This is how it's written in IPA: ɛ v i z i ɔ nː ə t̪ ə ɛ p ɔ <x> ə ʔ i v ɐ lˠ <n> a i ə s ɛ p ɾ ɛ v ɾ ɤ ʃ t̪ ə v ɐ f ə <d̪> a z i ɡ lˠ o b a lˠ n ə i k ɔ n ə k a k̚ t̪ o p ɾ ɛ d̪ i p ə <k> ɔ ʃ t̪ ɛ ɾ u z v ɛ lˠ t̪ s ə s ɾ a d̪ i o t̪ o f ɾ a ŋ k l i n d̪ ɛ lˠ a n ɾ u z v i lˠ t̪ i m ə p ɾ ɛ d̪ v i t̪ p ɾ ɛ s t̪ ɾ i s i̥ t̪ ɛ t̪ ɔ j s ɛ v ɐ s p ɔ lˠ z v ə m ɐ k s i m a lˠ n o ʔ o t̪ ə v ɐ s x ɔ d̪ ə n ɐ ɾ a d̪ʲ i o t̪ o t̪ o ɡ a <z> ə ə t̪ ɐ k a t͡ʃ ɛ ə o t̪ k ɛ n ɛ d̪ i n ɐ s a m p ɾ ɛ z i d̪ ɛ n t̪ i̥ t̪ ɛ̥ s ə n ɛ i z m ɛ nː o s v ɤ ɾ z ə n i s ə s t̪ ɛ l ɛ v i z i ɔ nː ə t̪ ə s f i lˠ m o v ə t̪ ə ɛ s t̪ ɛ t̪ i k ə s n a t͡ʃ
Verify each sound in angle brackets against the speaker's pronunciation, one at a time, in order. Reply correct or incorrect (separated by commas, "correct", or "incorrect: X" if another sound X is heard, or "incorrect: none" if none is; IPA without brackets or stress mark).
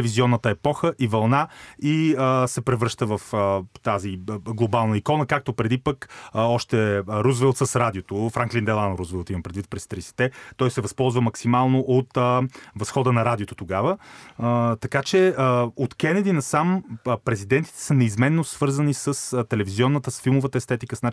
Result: correct, correct, incorrect: t̪, correct, incorrect: v